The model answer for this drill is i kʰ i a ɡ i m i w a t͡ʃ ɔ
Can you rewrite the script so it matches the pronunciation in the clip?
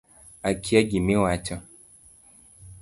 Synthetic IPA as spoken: a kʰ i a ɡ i m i w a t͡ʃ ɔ